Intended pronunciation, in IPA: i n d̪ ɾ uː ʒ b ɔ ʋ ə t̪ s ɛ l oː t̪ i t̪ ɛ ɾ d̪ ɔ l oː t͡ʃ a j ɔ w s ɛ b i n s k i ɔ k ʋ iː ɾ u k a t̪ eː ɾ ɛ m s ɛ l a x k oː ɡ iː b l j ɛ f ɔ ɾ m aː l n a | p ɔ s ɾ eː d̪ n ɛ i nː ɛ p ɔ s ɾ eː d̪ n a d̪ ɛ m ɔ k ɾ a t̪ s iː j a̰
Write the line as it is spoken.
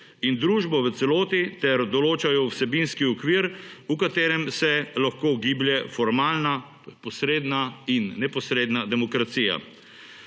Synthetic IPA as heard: i n d̪ ɾ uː ʒ b ɔ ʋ ə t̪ s ɛ l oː t̪ i t̪ ɛ ɾ d̪ ɔ l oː t͡ʃ a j ɔ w s ɛ b i n s k i ɔ k ʋ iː ɾ u k a t̪ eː ɾ ɛ m s ɛ l a x k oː ɡ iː b l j ɛ f ɔ ɾ m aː l n a | p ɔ s ɾ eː d̪ n a i nː ɛ p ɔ s ɾ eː d̪ n a d̪ ɛ m ɔ k ɾ a t̪ s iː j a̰

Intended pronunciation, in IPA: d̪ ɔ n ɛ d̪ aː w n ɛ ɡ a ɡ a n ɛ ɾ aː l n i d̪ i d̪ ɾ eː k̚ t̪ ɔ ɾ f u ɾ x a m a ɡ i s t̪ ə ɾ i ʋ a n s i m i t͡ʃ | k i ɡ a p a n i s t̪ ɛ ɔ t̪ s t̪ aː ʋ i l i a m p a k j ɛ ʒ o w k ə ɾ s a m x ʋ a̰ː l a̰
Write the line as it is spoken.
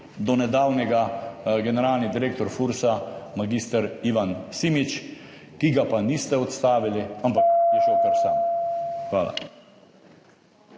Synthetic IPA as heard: d̪ ɔ n ɛ d̪ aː w n ɛ ɡ a ɡ ɛ n ɛ ɾ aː l n i d̪ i ɾ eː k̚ t̪ ɔ ɾ f u ɾ s a m a ɡ i s t̪ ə ɾ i ʋ a n s i m i t͡ʃ | k i ɡ a p a n i s t̪ ɛ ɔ t̪ s t̪ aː ʋ i l i a m p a k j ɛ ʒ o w k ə ɾ s a m x ʋ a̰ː l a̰

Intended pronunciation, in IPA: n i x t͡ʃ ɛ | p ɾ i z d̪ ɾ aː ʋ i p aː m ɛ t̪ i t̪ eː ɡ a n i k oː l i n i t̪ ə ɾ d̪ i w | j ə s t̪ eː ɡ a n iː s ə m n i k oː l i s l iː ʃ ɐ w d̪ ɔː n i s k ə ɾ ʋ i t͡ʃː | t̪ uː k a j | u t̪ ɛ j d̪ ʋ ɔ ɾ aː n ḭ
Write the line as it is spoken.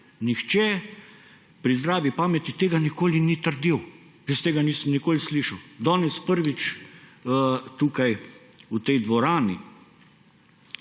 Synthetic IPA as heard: n i x t͡ʃ ɛ | p ɾ i z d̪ ɾ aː ʋ i p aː m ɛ t̪ i t̪ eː ɡ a n i k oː l i n i t̪ ə ɾ d̪ i w | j ə s t̪ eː ɡ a n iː s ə m n i k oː l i s l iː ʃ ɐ w d̪ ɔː n ɛ s p ə ɾ ʋ i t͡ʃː | t̪ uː k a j | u t̪ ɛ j d̪ ʋ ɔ ɾ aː n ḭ

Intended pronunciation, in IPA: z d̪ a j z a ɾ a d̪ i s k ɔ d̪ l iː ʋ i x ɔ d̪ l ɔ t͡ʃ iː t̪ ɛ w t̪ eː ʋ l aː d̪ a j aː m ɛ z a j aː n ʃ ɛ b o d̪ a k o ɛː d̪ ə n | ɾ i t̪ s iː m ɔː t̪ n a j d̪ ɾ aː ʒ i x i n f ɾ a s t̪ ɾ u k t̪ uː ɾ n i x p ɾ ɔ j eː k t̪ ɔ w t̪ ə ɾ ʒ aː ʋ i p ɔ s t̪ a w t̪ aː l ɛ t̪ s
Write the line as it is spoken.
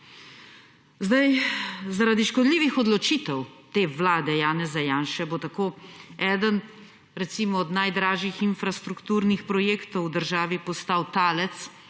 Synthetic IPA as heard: z d̪ a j z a ɾ a d̪ i ʃ k ɔ d̪ l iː ʋ i x ɔ d̪ l ɔ t͡ʃ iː t̪ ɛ w t̪ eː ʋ l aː d̪ ɛ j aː n ɛ z a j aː n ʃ ɛ b o t̪ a k o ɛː d̪ ə n | ɾ ɛ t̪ s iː m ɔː d̪ n a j d̪ ɾ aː ʒ i x i n f ɾ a s t̪ ɾ u k t̪ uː ɾ n i x p ɾ ɔ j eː k t̪ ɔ w d̪ ə ɾ ʒ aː ʋ i p ɔ s t̪ a w t̪ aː l ɛ t̪ s

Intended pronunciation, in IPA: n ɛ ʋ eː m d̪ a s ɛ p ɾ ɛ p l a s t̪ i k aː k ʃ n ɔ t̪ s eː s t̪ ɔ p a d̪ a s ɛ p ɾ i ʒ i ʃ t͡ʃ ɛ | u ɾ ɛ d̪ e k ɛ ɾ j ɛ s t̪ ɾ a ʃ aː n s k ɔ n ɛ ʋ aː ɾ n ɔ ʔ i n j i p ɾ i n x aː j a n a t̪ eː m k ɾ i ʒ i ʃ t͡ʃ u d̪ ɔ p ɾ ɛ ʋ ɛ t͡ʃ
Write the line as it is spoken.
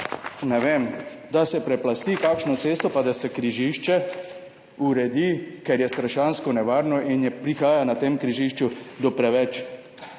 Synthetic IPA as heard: n ɛ ʋ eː m d̪ a s ɛ p ɾ ɛ p l a s t̪ i k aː k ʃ n ɔ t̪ s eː s t̪ ɔ p a d̪ a s ɛ k ɾ i ʒ i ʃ t͡ʃ ɛ | u ɾ ɛ d̪ i k ɛ ɾ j ɛ s t̪ ɾ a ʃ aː n s k ɔ n ɛ ʋ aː ɾ n ɔ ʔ i n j ɛ p ɾ i x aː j a n a t̪ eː m k ɾ i ʒ i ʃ t͡ʃ u d̪ ɔ p ɾ ɛ ʋ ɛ t͡ʃ

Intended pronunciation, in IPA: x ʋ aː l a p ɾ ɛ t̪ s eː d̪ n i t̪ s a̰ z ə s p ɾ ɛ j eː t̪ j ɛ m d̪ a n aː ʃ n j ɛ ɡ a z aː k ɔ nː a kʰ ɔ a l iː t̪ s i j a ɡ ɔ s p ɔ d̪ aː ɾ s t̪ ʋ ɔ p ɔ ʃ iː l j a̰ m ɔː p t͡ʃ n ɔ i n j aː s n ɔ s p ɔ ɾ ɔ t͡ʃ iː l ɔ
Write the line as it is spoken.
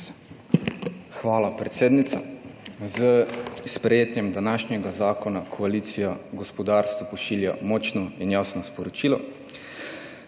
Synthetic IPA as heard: x ʋ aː l a p ɾ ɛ t̪ s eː d̪ n i t̪ s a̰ z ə s p ɾ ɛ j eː t̪ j ɛ m d̪ a n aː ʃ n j ɛ ɡ a z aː k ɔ n a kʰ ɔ a l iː t̪ s i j a ɡ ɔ s p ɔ d̪ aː ɾ s t̪ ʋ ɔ p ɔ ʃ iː l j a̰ m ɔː t͡ʃ n ɔ i n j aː s n ɔ s p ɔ ɾ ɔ t͡ʃ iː l ɔ

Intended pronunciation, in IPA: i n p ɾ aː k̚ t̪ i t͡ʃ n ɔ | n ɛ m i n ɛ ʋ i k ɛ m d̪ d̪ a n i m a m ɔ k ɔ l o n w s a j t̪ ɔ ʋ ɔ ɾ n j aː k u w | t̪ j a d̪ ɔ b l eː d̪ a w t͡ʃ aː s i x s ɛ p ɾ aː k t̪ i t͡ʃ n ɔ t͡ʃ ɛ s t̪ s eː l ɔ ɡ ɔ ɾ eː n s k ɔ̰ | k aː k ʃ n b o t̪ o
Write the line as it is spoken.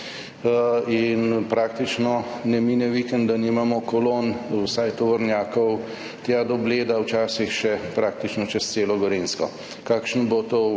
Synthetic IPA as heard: i n p ɾ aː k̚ t̪ i t͡ʃ n ɔ | n ɛ m i n ɛ ʋ i k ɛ n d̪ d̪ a n i m a m ɔ k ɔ l o n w s a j t̪ ɔ ʋ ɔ ɾ n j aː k ɔ w | t̪ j a d̪ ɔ b l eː d̪ a w t͡ʃ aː s i x ʃ ɛ p ɾ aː k t̪ i t͡ʃ n ɔ t͡ʃ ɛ s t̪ s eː l ɔ ɡ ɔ ɾ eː n s k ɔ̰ | k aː k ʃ n b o t̪ o

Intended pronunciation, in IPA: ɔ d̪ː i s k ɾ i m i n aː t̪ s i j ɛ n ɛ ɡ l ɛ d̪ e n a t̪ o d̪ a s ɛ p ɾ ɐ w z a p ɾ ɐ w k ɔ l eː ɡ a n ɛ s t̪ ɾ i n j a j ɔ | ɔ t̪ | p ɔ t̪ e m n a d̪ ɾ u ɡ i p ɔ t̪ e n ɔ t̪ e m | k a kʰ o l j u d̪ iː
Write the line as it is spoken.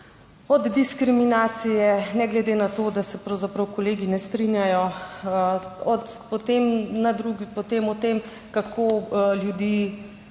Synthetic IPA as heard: ɔ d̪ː i s k ɾ i m i n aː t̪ s i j ɛ n ɛ ɡ l ɛ d̪ e n a t̪ o d̪ a s ɛ p ɾ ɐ w z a p ɾ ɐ w k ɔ l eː ɡ i n ɛ s t̪ ɾ i n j a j ɔ | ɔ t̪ | p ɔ t̪ e m n a d̪ ɾ u ɡ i p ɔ t̪ e m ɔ t̪ e m | k a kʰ o l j u d̪ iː

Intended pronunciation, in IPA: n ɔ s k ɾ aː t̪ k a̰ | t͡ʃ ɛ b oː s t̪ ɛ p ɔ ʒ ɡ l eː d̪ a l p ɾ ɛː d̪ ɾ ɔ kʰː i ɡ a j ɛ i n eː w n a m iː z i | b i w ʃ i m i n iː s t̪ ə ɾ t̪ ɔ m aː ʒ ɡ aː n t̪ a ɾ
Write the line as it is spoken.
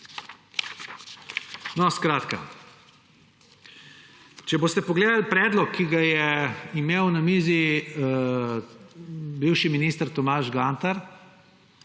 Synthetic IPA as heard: n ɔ s k ɾ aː t̪ k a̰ | t͡ʃ ɛ b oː s t̪ ɛ p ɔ ɡ l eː d̪ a l p ɾ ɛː d̪ l ɔ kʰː i ɡ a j ɛ i m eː w n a m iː z i | b i w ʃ i m i n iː s t̪ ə ɾ t̪ ɔ m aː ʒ ɡ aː n t̪ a ɾ

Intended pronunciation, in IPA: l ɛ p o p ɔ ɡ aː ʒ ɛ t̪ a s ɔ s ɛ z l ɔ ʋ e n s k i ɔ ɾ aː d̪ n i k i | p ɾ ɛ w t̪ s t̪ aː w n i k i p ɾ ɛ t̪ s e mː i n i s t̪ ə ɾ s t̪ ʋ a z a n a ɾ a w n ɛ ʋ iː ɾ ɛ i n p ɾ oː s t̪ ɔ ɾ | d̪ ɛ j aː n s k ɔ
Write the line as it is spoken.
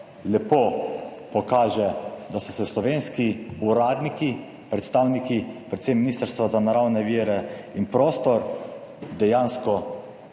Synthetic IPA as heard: l ɛ p o p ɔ k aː ʒ ɛ d̪ a s ɔ s ɛ s l ɔ ʋ e n s k i u ɾ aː d̪ n i k i | p ɾ ɛ t̪ s t̪ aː w n i k i p ɾ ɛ t̪ s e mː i n i s t̪ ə ɾ s t̪ ʋ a z a n a ɾ a w n ɛ ʋ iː ɾ ɛ i n p ɾ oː s t̪ ɔ ɾ | d̪ ɛ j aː n s k ɔ

